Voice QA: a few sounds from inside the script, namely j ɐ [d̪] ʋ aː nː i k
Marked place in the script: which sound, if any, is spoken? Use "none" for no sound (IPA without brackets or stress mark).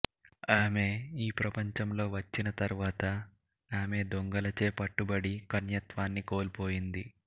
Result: t̪